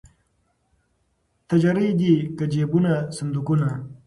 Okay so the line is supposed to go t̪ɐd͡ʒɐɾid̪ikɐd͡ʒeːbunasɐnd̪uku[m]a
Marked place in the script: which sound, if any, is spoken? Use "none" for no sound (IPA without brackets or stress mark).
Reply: n